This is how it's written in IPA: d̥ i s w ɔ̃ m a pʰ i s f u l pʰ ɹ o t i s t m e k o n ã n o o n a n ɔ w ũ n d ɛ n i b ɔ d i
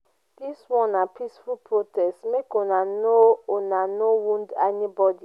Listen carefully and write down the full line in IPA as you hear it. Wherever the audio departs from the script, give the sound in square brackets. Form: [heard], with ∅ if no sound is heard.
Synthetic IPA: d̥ i s w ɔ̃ [n] a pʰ i s f u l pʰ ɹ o t [ɛ] s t m e k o n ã n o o n a n [o] w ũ n d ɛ n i b ɔ d i